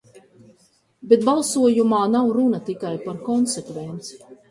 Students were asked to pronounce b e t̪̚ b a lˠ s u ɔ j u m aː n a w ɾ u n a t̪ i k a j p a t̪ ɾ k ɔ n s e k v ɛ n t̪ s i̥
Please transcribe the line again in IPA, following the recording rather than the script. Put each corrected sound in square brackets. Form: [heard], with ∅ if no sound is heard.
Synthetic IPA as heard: b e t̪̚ b a lˠ s u ɔ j u m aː n a w ɾ u n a t̪ i k a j p a [∅] ɾ k ɔ n s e k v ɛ n t̪ s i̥